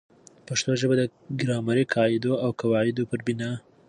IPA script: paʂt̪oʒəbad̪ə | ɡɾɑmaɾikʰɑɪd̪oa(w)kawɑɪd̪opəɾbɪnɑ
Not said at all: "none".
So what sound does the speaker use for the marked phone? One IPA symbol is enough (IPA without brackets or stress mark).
w